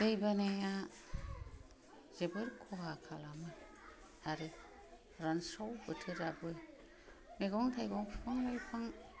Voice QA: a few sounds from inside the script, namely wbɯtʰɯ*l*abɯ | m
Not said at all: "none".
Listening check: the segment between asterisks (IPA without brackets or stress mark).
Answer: ɾ